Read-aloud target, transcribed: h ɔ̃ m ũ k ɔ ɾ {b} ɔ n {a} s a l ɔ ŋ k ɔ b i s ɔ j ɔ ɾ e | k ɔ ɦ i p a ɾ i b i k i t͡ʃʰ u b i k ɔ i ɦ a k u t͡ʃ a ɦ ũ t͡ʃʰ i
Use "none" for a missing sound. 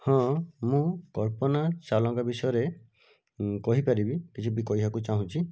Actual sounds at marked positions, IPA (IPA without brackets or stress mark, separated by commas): p, a